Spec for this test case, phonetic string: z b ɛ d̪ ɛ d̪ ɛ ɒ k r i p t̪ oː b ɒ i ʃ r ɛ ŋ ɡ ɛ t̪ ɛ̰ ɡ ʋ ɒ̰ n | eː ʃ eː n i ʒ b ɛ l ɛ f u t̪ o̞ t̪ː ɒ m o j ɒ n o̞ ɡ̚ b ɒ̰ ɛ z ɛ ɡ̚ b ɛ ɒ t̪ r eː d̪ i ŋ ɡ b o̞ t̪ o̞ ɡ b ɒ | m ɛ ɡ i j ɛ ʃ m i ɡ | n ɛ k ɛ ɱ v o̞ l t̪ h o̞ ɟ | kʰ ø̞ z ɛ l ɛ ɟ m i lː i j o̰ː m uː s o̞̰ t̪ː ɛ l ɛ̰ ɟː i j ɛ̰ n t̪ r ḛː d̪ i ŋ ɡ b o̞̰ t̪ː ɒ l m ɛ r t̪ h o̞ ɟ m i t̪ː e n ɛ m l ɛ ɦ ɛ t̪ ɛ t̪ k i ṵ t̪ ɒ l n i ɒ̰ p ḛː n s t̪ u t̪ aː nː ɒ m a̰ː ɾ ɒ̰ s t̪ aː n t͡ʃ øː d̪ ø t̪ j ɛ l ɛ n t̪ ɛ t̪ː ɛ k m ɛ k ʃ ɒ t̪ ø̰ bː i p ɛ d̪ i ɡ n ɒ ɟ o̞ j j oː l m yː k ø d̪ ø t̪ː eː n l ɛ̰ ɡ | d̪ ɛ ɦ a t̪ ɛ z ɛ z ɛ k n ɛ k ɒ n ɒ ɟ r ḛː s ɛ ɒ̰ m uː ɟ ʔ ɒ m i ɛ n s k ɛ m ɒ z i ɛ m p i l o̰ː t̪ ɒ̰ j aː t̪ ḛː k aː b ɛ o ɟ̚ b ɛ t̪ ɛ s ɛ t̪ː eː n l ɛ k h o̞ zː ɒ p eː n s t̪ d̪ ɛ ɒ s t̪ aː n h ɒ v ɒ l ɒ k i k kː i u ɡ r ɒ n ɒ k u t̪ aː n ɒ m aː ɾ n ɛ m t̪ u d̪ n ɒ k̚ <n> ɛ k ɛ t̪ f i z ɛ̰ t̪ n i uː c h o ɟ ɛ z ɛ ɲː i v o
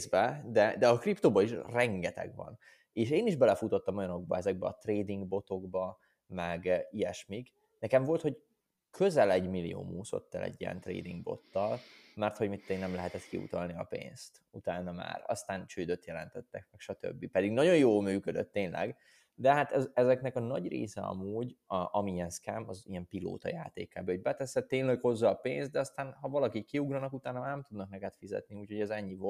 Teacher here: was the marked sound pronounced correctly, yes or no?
yes